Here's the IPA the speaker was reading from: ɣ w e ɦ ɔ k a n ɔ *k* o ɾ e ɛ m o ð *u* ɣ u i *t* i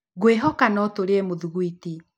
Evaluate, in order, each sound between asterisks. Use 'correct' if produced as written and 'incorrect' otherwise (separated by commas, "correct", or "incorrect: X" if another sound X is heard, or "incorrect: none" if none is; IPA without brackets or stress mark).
incorrect: t, correct, correct